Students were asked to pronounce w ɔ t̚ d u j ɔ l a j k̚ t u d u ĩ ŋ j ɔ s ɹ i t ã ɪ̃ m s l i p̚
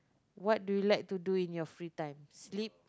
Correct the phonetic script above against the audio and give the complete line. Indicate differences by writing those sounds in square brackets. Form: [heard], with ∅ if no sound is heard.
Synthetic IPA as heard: w ɔ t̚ d u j [u] l a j k̚ t u d u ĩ [n] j ɔ [f] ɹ i t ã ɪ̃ m s l i p̚

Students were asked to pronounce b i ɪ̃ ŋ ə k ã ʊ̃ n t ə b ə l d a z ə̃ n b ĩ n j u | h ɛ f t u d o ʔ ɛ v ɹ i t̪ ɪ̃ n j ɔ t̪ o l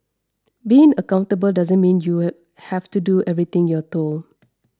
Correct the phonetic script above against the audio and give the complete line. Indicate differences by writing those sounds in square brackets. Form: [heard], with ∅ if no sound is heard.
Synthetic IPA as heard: b i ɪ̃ ŋ ə k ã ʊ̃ n t ə b ə l d a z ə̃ n [m] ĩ n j u | h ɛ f t u d [u] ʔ ɛ v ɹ i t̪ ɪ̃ [ŋ] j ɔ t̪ o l

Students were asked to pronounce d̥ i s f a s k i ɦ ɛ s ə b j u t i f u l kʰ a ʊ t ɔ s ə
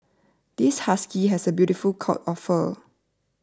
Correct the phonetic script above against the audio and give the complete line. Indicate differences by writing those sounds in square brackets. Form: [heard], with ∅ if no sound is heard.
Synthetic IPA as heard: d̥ i s [h] a s k i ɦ ɛ s ə b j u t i f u l kʰ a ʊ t ɔ [f] ə

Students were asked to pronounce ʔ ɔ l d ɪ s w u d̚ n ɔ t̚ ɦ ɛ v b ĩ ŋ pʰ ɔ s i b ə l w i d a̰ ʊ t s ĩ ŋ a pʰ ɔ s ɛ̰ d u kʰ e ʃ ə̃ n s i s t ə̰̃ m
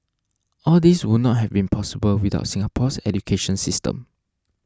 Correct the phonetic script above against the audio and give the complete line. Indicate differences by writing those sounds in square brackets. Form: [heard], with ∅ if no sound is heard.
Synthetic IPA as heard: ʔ ɔ l d [i] s w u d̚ n ɔ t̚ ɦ ɛ v b ĩ [n] pʰ ɔ s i b ə l w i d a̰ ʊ t s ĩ ŋ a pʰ ɔ s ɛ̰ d u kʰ e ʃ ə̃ n s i s t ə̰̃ m

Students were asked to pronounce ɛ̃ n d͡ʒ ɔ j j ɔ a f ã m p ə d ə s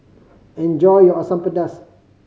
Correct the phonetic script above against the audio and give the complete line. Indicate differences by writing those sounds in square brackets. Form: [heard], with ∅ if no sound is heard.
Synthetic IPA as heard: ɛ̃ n d͡ʒ ɔ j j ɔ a [s] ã m p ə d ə s

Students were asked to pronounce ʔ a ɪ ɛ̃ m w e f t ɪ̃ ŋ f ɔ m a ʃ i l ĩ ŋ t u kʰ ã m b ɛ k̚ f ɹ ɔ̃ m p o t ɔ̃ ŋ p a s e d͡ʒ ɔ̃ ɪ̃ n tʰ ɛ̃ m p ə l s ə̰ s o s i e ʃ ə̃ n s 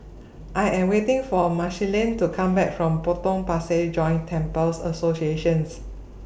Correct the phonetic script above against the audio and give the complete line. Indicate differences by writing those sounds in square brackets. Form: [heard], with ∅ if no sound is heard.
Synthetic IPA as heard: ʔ a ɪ ɛ̃ m w e [∅] t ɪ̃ ŋ f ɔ m a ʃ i l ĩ [n] t u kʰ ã m b ɛ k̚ f ɹ ɔ̃ m p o t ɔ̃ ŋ p a s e d͡ʒ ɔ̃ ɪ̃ n tʰ ɛ̃ m p ə l s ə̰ s o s i e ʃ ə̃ n s

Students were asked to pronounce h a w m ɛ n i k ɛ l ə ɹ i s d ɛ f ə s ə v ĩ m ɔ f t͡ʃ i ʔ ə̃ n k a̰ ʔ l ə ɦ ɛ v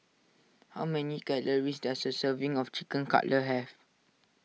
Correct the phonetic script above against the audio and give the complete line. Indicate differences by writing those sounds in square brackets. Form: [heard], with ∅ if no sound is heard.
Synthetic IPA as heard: h a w m ɛ n i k ɛ l ə ɹ i s d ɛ [s] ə s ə v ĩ [ŋ] ɔ f t͡ʃ i [k] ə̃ n k a̰ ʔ l ə ɦ ɛ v

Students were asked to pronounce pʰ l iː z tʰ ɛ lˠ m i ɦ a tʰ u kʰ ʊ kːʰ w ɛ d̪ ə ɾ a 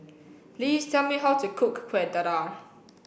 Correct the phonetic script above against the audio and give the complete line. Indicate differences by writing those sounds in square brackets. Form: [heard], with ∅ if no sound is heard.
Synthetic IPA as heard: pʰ l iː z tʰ ɛ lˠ m i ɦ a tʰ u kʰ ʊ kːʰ w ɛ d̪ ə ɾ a

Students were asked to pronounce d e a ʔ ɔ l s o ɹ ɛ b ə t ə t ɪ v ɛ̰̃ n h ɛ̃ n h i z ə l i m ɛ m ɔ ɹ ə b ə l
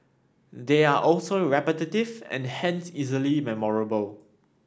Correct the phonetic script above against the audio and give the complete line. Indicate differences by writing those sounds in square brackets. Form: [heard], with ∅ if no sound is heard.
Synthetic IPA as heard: d e a ʔ ɔ l s o ɹ ɛ [p] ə t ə t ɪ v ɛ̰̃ n h ɛ̃ n [s] i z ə l i m ɛ m ɔ ɹ ə b ə l

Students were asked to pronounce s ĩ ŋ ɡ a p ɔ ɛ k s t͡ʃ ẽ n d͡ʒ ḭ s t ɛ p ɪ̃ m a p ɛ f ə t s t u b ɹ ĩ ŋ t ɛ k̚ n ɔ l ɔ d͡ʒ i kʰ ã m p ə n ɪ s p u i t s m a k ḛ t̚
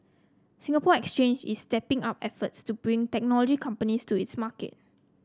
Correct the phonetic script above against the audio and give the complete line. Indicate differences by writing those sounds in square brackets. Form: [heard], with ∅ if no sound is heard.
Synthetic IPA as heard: s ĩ ŋ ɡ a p ɔ ɛ k s t͡ʃ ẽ n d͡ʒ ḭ s t ɛ p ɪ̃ [ŋ] a p ɛ f ə t s t u b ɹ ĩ ŋ t ɛ k̚ n ɔ l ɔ d͡ʒ i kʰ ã m p ə n [i] s [t] u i t s m a k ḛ t̚

